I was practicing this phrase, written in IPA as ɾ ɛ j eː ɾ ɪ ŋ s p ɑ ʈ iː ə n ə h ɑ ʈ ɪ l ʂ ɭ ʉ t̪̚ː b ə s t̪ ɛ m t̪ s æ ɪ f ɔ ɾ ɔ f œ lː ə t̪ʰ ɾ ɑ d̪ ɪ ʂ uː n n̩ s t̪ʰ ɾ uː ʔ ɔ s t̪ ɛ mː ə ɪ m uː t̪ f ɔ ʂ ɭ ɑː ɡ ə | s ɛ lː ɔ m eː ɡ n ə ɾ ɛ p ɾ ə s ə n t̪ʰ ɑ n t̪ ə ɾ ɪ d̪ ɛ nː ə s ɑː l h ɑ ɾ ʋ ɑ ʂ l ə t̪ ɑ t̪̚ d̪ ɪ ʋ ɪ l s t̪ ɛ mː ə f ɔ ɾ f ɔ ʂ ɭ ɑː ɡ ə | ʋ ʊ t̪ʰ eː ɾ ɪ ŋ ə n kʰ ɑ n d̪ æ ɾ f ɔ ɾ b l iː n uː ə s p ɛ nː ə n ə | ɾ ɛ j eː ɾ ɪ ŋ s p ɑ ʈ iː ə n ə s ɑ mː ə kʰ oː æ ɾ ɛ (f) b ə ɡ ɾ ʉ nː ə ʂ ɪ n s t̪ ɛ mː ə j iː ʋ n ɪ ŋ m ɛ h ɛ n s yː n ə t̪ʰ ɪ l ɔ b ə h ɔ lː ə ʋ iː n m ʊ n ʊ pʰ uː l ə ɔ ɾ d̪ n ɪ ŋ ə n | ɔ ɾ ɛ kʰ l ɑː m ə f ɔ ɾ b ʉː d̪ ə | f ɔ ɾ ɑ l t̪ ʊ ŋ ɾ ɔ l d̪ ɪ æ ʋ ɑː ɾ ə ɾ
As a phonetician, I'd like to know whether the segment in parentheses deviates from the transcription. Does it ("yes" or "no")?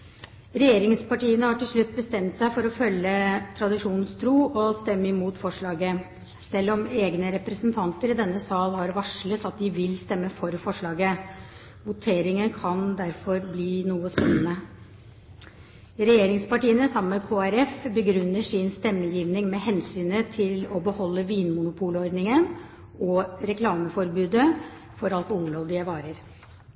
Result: no